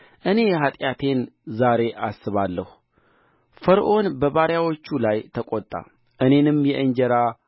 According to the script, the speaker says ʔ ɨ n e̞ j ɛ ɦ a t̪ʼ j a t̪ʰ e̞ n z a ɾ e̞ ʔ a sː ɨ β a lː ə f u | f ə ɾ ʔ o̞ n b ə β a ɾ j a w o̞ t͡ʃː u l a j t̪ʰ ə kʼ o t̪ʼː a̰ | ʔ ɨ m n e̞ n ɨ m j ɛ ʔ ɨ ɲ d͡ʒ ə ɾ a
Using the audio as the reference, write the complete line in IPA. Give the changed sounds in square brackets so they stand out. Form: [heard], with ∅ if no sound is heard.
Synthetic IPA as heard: ʔ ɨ n e̞ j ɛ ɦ a t̪ʼ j a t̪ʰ e̞ n z a ɾ e̞ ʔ a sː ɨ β a lː ə [h] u | f ə ɾ ʔ o̞ n b ə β a ɾ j a w o̞ t͡ʃː u l a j t̪ʰ ə kʼ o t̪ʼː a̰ | ʔ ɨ [∅] n e̞ n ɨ m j ɛ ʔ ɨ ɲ d͡ʒ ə ɾ a